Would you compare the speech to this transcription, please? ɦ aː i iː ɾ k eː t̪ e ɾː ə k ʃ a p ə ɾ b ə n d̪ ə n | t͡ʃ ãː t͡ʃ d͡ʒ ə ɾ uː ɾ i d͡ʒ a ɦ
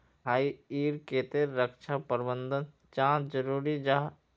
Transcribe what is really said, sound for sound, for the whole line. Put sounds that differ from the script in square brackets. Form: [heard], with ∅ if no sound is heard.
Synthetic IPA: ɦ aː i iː ɾ k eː t̪ e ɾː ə k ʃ a p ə ɾ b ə n d̪ ə n | t͡ʃ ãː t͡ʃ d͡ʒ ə ɾ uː ɾ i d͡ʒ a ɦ

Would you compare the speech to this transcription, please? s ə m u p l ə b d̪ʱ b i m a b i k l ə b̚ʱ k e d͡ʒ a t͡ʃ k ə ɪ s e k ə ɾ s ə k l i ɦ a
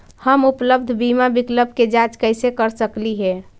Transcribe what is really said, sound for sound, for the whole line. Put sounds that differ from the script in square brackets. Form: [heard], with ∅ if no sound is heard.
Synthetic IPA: [h] ə m u p l ə b d̪ʱ b i m a b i k l ə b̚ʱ k e d͡ʒ a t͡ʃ k ə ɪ s e k ə ɾ s ə k l i ɦ [ɛ]

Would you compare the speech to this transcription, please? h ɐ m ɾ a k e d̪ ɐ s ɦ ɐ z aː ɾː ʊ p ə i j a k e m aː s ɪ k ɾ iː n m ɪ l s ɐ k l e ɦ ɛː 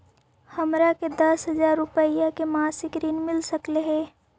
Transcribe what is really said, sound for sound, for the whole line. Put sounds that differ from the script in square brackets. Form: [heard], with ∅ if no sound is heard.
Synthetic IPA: h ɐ m ɾ a k e d̪ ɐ s ɦ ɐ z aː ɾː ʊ p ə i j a k e m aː s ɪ k ɾ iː n m ɪ l s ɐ k l e ɦ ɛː

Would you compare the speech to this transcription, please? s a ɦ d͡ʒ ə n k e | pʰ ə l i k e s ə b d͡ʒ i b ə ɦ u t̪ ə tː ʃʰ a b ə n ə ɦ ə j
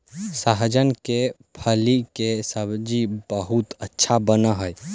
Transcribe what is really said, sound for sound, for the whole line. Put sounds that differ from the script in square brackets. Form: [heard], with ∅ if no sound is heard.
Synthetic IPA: s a ɦ d͡ʒ ə n k e | pʰ ə l i k e s ə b d͡ʒ i b ə ɦ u t̪ ə tː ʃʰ a b ə n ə ɦ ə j

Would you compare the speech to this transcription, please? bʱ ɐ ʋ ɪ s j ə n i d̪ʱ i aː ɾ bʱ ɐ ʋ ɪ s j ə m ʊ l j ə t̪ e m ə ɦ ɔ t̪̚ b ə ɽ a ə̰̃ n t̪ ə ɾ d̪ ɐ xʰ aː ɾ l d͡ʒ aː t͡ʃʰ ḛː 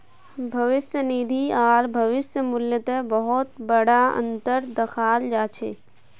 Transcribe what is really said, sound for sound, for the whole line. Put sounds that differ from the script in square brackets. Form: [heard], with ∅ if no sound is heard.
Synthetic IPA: bʱ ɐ ʋ ɪ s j ə n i d̪ʱ i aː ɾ bʱ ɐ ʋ ɪ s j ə m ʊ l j ə t̪ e [b] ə ɦ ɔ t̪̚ b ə ɽ a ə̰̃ n t̪ ə ɾ d̪ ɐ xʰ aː [∅] l d͡ʒ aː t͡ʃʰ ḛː

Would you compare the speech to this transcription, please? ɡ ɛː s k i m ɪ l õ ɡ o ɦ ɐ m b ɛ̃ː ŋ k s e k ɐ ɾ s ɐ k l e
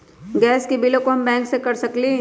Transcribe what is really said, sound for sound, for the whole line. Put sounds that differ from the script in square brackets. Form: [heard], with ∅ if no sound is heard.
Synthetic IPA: ɡ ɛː s k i [b] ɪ l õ [k] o ɦ ɐ m b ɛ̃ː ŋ k s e k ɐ ɾ s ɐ k l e

